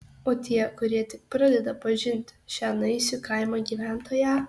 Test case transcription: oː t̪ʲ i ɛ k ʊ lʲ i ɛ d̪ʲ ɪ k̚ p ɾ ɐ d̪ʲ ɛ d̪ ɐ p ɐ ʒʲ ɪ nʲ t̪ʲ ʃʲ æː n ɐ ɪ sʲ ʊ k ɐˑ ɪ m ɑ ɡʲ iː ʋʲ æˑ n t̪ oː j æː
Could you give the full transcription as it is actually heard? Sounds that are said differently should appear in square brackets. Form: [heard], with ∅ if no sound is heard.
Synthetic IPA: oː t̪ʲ i ɛ k ʊ [ɾʲ] i ɛ [t̪ʲ] ɪ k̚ p ɾ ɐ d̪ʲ ɛ d̪ ɐ p ɐ ʒʲ ɪ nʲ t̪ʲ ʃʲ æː n ɐ ɪ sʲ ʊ k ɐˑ ɪ m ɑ ɡʲ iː ʋʲ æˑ n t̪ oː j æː